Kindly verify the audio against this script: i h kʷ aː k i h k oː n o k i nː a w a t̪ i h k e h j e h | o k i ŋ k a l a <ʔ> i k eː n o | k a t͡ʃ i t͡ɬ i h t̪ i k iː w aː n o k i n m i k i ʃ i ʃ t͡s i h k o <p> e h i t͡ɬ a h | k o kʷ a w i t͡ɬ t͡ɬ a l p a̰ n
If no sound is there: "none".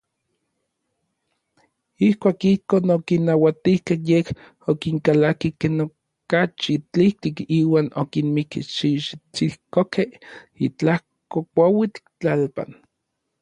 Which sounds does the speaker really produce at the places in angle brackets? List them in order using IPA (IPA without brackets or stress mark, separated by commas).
k, k